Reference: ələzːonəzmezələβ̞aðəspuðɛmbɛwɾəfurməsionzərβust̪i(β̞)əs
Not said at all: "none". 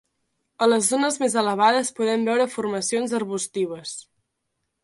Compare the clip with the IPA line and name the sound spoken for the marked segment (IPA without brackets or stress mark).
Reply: β̞